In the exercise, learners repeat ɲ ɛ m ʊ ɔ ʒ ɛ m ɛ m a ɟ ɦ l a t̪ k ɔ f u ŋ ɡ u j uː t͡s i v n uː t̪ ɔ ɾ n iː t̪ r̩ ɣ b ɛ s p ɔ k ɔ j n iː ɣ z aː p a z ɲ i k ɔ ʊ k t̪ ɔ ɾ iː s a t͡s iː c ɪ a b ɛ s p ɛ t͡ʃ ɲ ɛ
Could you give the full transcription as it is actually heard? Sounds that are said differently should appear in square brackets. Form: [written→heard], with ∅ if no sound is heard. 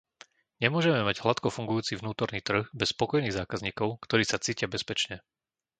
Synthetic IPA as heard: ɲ ɛ m ʊ ɔ ʒ ɛ m ɛ m a ɟ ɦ l a t̪ k ɔ f u ŋ ɡ u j uː t͡s i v n uː t̪ ɔ ɾ n iː t̪ r̩ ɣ b ɛ s p ɔ k ɔ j n iː ɣ z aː [p→k] a z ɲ [i→iː] k ɔ ʊ k t̪ ɔ ɾ iː s a t͡s iː c ɪ a b ɛ s p ɛ t͡ʃ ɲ ɛ